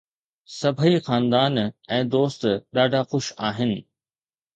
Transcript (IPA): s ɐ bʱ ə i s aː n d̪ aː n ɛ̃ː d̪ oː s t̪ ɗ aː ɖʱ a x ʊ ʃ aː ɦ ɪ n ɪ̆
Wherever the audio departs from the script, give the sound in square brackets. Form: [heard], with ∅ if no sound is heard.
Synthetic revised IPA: s ɐ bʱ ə i [x] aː n d̪ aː n ɛ̃ː d̪ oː s t̪ ɗ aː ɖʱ a x ʊ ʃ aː ɦ ɪ n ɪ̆